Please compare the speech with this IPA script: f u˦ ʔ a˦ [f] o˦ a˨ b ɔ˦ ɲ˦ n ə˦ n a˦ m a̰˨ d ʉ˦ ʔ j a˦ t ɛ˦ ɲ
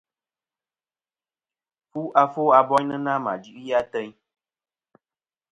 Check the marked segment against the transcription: correct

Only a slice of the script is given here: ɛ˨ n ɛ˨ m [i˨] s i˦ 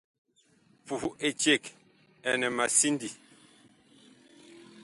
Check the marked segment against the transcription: incorrect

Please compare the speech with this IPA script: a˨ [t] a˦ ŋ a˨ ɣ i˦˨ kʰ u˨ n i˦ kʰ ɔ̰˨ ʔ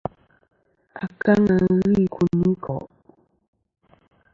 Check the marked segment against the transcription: incorrect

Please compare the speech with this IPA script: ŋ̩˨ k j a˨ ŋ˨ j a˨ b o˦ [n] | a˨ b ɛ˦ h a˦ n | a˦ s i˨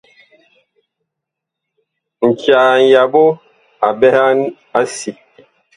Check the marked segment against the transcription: incorrect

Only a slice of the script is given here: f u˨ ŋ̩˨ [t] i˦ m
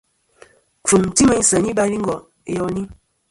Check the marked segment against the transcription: correct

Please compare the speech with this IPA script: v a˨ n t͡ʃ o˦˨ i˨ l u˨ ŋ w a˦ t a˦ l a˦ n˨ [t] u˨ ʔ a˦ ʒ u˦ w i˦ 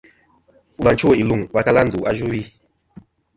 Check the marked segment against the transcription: incorrect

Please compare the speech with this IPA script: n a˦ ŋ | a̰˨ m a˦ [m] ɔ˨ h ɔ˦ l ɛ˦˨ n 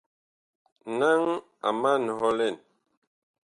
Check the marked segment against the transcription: incorrect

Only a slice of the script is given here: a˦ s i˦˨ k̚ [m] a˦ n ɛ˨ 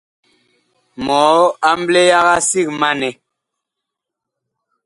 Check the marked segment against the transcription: correct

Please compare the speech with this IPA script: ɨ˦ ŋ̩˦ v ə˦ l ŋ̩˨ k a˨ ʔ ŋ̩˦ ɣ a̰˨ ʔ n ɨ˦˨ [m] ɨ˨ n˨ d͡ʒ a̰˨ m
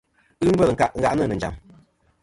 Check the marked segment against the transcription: incorrect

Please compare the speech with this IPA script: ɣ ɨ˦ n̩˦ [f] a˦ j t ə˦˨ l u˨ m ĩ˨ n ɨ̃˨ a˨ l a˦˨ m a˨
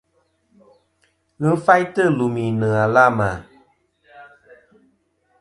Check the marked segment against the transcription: correct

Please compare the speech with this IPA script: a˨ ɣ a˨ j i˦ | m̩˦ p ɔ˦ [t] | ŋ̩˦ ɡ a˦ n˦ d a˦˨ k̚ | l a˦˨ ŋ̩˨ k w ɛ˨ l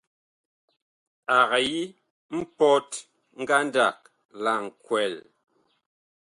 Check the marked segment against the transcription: correct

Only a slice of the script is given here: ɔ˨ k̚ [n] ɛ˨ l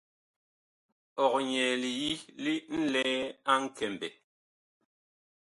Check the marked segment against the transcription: incorrect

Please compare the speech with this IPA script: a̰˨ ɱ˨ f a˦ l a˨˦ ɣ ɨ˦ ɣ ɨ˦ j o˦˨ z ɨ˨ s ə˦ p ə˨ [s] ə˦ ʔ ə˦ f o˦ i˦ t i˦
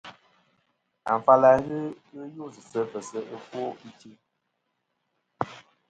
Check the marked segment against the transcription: correct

